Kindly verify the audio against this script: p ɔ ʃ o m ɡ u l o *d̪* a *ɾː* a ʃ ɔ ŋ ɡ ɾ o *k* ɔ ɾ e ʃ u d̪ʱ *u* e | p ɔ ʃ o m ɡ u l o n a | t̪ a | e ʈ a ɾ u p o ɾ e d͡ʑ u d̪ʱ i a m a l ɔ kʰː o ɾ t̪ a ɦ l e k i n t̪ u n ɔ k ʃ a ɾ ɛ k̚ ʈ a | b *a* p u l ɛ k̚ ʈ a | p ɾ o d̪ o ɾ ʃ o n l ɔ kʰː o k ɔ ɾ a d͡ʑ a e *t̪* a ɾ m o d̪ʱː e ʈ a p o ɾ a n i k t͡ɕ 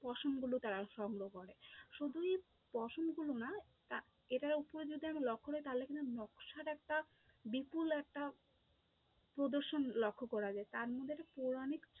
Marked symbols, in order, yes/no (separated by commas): no, no, yes, yes, no, yes